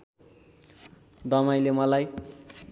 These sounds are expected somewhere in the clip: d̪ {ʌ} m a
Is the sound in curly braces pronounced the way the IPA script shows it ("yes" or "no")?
yes